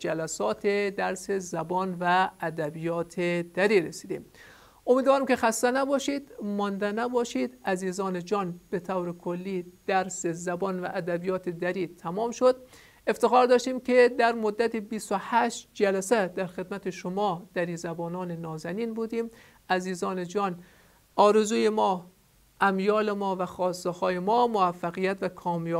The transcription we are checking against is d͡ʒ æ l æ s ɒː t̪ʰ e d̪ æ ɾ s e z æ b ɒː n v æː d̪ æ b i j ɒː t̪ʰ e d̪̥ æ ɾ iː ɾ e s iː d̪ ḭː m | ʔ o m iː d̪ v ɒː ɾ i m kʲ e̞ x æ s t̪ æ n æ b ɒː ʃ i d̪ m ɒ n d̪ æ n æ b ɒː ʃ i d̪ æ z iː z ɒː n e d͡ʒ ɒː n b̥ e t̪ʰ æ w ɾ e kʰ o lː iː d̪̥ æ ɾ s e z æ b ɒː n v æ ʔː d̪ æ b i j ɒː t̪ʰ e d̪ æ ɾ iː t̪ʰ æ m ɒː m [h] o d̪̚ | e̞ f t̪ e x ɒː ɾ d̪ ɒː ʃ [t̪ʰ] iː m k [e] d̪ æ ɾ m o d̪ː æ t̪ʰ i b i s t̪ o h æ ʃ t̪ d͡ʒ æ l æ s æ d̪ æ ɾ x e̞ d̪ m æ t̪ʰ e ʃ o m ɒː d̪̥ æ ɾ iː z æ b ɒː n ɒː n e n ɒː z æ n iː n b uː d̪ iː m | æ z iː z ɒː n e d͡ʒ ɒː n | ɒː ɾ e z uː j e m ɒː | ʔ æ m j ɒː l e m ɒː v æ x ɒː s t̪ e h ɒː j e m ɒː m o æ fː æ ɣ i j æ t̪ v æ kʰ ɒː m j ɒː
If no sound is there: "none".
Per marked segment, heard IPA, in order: ʃ, t̪, e

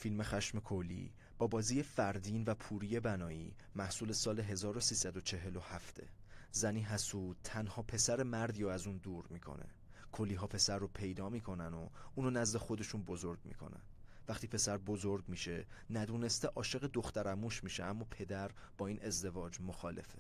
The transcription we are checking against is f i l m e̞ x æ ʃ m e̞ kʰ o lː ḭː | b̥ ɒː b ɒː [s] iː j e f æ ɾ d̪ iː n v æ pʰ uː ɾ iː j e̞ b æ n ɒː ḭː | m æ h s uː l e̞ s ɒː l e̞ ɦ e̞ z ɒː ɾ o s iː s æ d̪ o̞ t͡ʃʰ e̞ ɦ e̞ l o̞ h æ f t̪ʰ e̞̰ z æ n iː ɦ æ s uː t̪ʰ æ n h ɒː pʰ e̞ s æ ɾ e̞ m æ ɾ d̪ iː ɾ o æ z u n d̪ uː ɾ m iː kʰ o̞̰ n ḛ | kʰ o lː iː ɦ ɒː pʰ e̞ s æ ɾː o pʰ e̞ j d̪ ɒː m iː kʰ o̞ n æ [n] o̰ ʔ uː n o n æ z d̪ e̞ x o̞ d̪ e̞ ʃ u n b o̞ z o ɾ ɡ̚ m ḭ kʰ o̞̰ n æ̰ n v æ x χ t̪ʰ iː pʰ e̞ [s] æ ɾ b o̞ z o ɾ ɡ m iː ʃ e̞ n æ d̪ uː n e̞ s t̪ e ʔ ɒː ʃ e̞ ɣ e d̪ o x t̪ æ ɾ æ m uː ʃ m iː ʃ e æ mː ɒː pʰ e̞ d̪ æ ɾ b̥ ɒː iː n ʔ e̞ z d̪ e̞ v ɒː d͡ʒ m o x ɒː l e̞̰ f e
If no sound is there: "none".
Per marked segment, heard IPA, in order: z, n, s

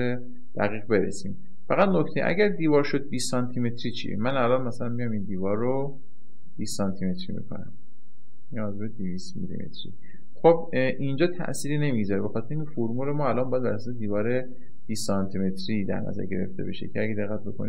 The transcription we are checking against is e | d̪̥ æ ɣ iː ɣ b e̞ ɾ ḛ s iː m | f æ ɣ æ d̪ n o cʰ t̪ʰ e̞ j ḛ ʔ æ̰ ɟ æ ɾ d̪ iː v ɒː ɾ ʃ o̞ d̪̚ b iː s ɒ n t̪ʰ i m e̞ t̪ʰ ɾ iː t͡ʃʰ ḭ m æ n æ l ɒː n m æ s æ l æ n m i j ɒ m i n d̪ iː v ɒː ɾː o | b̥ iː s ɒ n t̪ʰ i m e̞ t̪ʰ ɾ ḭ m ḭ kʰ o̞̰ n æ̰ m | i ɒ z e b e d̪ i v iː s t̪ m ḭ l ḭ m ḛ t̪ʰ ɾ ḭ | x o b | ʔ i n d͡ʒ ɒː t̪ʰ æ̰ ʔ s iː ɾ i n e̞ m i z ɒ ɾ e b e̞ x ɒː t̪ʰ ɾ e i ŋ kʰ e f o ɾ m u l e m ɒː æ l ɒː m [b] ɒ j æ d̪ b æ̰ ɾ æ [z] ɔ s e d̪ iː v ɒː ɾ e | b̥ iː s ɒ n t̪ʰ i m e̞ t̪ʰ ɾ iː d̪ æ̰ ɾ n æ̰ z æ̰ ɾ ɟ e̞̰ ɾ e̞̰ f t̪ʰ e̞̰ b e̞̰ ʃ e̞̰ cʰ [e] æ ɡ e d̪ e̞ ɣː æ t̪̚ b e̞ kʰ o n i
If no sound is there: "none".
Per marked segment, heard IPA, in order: b, s, e

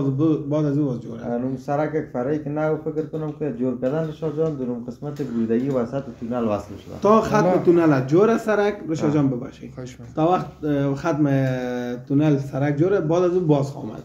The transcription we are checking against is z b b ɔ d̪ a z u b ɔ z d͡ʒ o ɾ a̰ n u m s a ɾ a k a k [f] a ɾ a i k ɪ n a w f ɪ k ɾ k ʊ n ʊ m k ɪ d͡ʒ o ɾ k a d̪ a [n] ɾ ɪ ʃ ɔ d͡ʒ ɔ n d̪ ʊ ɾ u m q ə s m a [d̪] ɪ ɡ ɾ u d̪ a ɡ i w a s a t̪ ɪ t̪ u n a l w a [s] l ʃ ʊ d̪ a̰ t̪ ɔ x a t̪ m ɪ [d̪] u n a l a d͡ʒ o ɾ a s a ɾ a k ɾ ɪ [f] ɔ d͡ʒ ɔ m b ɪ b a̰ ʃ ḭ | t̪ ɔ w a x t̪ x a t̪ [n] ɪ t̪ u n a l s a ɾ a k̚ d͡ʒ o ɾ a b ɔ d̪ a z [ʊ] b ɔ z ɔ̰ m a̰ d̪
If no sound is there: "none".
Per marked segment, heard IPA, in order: f, n, t̪, s, t̪, ʃ, m, u

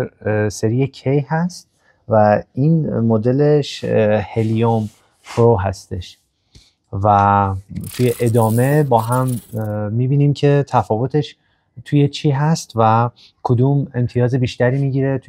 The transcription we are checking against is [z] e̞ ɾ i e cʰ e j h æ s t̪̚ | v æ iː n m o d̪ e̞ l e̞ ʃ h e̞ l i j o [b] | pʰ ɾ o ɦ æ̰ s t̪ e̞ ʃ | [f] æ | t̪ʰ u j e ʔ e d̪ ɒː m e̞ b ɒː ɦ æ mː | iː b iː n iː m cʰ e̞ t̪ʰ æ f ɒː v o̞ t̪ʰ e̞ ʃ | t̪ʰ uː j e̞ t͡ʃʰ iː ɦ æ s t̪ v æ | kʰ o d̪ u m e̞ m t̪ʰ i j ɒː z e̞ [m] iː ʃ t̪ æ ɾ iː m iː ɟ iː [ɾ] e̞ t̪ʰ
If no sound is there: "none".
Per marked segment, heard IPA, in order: s, m, v, b, ɾ

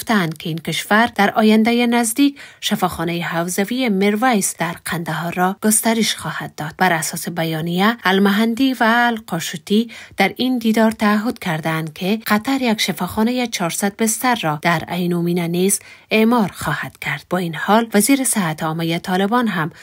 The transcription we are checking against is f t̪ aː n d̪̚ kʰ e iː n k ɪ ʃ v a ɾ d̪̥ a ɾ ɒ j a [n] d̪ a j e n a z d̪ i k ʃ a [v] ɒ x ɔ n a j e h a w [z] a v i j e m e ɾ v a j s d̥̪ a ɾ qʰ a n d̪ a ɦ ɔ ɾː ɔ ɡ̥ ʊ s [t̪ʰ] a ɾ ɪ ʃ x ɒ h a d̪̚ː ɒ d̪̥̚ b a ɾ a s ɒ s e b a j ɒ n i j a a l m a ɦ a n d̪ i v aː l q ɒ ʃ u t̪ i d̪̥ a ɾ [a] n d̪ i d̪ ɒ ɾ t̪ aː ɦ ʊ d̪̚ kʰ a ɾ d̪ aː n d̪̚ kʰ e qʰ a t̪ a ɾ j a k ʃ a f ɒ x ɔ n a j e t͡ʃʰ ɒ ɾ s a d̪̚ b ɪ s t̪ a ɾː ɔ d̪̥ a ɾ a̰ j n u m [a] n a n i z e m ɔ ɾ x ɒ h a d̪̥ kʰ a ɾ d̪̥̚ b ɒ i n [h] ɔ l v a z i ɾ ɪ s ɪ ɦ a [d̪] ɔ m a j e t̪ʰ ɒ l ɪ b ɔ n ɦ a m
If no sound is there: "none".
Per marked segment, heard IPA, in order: n, f, z, t̪, i, i, h, t̪

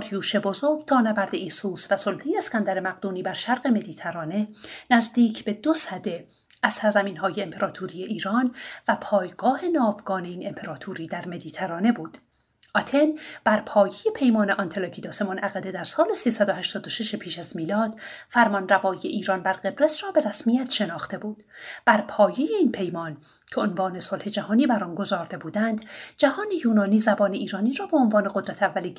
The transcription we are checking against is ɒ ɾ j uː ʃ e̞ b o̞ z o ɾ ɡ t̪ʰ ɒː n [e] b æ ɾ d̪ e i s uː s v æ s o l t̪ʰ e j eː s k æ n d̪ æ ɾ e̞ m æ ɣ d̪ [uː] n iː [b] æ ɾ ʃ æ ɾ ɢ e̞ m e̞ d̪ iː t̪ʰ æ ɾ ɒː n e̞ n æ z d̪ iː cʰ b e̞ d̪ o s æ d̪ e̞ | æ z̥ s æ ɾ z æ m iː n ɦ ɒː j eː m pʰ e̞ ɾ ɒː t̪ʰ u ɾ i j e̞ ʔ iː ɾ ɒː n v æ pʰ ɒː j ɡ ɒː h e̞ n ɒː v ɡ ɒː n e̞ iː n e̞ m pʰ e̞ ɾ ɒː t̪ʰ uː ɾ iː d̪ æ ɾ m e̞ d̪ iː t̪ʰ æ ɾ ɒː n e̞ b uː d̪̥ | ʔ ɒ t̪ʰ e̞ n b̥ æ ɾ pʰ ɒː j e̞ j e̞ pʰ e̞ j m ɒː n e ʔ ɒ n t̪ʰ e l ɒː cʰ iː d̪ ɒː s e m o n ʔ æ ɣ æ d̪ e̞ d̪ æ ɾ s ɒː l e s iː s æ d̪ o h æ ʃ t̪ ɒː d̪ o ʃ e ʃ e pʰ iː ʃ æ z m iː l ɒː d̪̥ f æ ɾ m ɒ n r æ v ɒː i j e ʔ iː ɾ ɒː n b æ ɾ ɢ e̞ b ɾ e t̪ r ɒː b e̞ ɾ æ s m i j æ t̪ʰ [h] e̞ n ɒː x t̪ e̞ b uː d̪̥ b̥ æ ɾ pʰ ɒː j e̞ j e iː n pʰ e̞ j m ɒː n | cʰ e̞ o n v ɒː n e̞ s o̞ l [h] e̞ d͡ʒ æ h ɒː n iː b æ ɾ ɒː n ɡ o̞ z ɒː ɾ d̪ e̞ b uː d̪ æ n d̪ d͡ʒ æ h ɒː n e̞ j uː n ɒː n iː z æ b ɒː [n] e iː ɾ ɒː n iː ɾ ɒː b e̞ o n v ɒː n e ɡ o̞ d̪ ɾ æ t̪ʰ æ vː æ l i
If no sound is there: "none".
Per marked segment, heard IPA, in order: æ, uː, b, ʃ, h, n

